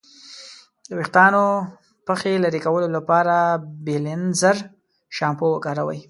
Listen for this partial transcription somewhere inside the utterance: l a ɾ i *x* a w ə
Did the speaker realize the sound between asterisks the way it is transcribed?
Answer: no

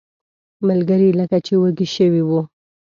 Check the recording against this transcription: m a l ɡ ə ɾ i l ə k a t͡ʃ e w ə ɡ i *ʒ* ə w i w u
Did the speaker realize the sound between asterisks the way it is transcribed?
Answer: no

